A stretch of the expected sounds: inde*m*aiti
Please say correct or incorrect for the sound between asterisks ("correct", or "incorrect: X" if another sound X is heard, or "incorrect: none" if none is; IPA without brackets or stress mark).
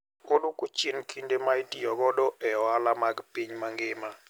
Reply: correct